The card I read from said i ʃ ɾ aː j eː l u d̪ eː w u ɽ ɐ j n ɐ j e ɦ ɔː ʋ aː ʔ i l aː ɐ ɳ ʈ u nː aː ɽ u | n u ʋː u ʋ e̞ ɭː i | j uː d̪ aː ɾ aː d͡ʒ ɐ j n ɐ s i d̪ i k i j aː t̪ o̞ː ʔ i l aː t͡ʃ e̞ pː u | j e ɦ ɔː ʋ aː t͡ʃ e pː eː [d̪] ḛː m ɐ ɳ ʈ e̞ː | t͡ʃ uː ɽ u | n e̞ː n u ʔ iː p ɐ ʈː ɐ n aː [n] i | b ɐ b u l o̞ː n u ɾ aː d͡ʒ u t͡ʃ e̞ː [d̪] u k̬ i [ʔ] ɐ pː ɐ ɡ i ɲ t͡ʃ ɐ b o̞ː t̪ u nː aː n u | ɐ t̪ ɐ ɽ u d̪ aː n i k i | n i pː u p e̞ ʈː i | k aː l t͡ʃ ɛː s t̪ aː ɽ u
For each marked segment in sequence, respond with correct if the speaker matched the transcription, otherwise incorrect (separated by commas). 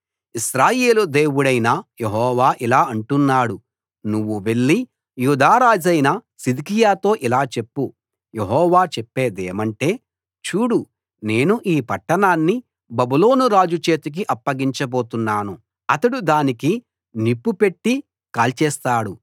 correct, incorrect, incorrect, correct